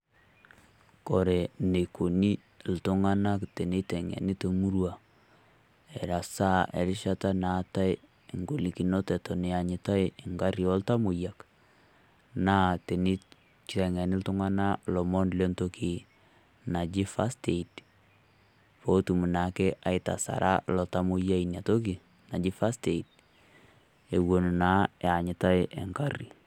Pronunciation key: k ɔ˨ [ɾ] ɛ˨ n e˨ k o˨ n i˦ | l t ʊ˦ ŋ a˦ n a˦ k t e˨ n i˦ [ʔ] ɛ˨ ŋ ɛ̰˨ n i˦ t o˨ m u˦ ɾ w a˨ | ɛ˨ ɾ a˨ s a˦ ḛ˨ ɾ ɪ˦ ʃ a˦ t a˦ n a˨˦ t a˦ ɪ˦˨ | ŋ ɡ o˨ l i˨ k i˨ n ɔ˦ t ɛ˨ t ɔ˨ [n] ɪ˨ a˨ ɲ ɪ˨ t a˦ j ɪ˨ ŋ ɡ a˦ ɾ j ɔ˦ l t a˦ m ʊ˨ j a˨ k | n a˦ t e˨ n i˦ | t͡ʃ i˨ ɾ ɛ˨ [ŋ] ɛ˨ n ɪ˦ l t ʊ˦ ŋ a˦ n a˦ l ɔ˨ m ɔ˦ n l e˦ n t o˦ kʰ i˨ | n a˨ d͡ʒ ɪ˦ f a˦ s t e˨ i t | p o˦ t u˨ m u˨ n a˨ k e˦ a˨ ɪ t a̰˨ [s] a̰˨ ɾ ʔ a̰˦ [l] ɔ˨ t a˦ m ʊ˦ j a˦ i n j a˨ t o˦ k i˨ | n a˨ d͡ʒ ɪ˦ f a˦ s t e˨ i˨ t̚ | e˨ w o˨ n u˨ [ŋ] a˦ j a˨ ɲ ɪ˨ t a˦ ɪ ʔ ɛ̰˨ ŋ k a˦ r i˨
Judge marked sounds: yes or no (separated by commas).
yes, no, yes, yes, yes, yes, no